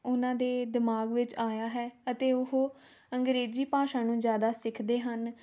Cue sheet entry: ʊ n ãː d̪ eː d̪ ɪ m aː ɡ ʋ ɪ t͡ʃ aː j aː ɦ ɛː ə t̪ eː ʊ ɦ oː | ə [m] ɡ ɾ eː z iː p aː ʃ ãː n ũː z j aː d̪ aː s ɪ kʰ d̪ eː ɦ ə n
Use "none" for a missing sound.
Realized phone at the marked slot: ŋ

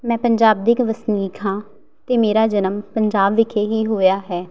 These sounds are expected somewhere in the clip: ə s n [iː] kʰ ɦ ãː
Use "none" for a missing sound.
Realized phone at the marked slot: iː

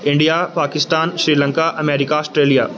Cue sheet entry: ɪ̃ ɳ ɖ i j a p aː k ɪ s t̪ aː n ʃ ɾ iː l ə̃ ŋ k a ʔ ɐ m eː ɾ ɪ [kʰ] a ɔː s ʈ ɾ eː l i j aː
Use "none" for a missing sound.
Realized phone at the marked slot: k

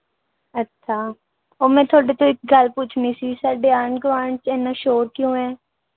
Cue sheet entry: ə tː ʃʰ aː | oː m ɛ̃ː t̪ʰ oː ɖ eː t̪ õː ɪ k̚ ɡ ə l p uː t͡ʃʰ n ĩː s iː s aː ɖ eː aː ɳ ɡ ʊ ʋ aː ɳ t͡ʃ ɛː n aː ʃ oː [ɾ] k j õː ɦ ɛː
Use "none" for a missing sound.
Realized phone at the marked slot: ɾ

